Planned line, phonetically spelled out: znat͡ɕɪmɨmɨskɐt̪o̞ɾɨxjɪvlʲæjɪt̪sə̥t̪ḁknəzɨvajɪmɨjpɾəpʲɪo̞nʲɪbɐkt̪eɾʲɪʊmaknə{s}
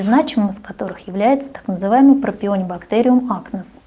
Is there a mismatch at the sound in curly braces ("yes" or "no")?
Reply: no